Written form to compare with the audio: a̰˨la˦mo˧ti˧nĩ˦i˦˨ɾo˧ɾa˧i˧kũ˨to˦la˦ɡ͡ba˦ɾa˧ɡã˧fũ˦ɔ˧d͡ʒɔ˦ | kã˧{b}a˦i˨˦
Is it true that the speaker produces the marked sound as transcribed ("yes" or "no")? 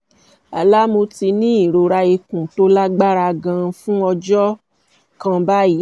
yes